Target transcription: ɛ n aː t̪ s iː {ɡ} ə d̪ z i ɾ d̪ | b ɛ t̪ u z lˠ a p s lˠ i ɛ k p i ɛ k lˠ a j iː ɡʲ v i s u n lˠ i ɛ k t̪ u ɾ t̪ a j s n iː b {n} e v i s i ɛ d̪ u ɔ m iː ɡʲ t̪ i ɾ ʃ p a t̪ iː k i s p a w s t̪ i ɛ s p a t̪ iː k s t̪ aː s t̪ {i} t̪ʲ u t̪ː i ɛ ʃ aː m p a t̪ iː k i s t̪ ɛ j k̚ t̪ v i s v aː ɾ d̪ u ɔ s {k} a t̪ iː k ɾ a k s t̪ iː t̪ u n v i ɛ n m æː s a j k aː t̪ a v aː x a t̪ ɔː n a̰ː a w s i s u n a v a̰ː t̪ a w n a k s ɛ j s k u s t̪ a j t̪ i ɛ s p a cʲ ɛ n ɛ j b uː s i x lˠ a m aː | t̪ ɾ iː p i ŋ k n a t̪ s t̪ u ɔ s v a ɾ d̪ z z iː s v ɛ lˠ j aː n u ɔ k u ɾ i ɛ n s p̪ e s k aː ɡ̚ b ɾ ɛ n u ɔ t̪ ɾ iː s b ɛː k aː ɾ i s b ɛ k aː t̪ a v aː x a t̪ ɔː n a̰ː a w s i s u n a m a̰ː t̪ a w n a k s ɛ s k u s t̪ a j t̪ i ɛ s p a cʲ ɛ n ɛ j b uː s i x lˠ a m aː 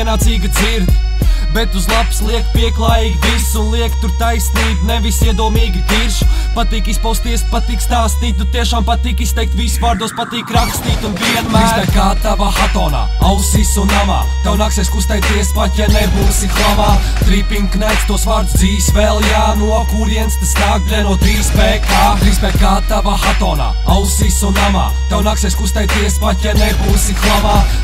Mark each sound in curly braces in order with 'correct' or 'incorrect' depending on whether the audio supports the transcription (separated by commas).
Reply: correct, correct, incorrect, incorrect